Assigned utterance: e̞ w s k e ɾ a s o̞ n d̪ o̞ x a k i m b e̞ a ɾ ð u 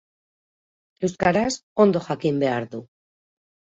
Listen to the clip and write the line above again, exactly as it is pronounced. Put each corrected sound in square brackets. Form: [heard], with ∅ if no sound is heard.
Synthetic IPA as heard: e̞ w s k [a] ɾ a s o̞ n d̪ o̞ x a k i m b e̞ a ɾ ð u